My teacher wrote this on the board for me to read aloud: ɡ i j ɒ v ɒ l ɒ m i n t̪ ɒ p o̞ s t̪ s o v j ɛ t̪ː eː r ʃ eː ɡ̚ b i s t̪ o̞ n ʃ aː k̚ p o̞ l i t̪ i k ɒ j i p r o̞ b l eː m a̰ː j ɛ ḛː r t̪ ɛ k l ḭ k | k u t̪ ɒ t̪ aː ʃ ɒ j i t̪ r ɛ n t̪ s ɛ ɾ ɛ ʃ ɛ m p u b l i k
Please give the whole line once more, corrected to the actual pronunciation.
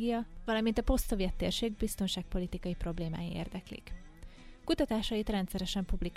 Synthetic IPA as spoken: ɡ i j ɒ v ɒ l ɒ m i n t̪ ɒ p o̞ s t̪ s o v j ɛ t̪ː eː r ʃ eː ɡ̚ b i s t̪ o̞ n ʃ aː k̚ p o̞ l i t̪ i k ɒ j i p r o̞ b l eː m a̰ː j i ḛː r d̪ ɛ k l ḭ k | k u t̪ ɒ t̪ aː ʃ ɒ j i t̪ r ɛ n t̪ s ɛ ɾ ɛ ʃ ɛ m p u b l i k